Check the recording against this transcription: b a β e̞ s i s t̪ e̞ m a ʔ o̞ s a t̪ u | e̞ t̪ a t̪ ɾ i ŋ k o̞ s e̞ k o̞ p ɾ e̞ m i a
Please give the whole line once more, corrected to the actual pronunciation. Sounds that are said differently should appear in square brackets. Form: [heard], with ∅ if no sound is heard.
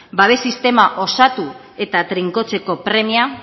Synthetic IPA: b a β e̞ s i s t̪ e̞ m a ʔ o̞ s a t̪ u | e̞ t̪ a t̪ ɾ i ŋ k o̞ [t͡s] e̞ k o̞ p ɾ e̞ m i a